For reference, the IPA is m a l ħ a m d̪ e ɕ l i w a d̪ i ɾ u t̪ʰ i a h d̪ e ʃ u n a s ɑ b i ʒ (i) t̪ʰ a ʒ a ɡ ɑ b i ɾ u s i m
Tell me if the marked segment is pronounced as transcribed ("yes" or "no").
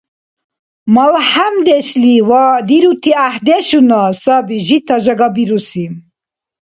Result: yes